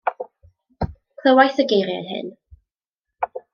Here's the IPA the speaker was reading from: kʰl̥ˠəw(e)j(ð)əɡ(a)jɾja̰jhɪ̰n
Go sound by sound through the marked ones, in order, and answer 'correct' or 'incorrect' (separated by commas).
incorrect, incorrect, incorrect